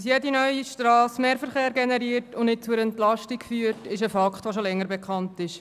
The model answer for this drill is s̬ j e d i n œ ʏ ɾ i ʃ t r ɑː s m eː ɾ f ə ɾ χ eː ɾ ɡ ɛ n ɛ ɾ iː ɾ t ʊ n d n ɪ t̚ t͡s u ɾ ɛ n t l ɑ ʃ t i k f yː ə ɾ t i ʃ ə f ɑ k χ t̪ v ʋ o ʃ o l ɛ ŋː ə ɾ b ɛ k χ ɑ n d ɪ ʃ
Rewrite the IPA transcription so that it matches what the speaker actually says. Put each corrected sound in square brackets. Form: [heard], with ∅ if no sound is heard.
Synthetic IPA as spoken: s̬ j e d i n œ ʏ [∅] i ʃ t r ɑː s m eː ɾ f ə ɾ χ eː ɾ ɡ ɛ n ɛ ɾ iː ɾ t ʊ n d n ɪ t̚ t͡s u ɾ ɛ n t l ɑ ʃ t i k f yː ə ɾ t [ɪ] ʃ ə f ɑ k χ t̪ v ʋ o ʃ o l ɛ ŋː ə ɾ b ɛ k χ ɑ n [t] ɪ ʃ